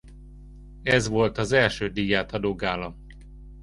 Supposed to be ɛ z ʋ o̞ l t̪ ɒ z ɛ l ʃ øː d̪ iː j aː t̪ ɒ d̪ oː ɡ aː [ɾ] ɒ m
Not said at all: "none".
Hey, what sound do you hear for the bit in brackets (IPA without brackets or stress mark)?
l